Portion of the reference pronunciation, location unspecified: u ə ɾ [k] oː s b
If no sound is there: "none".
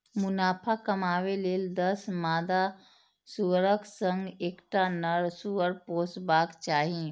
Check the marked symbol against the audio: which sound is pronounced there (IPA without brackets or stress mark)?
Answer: p